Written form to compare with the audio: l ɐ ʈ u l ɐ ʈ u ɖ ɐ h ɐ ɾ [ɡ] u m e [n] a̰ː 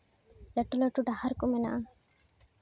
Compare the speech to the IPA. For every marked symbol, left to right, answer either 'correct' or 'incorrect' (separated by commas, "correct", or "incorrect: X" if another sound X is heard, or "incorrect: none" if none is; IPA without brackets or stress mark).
incorrect: k, correct